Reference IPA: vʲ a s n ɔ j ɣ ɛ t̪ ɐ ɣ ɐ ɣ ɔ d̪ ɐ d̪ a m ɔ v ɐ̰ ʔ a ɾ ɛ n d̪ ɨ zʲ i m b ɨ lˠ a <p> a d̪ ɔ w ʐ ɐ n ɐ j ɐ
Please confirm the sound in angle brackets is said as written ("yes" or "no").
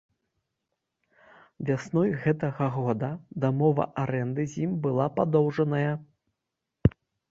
yes